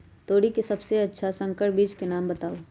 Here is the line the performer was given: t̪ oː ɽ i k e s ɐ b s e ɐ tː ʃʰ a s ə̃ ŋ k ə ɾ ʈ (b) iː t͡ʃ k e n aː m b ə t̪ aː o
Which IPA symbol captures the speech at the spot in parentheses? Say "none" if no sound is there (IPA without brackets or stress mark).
b